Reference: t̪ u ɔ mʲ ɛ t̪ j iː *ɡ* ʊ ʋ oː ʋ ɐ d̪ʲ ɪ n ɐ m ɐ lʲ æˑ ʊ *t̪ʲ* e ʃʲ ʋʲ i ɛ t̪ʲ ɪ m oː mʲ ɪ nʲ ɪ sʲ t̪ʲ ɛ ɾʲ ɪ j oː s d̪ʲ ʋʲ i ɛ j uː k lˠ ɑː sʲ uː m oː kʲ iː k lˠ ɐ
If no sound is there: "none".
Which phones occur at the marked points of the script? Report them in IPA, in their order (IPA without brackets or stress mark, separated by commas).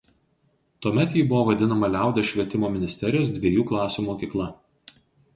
b, d̪ʲ